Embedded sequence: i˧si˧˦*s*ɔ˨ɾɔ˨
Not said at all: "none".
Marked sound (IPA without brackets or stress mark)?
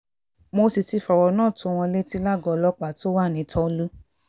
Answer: f